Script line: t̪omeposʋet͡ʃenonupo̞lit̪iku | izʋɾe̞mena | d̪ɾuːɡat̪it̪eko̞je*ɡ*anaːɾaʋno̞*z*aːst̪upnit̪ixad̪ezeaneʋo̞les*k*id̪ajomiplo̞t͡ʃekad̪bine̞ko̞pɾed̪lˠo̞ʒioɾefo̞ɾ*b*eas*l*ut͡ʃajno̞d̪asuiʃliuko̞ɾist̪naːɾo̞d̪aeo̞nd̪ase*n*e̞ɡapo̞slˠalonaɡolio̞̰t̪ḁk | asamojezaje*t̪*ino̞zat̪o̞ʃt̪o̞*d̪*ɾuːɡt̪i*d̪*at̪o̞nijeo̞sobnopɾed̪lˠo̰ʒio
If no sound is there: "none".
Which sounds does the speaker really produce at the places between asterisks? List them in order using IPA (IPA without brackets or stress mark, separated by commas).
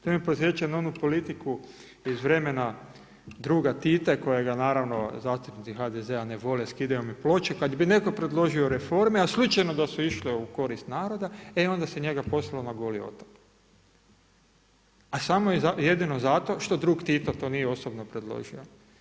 ɡ, z, k, m, l, ɲ, d̪, d̪, t̪